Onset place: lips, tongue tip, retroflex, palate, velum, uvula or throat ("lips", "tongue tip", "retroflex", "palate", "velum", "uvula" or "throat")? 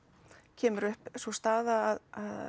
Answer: palate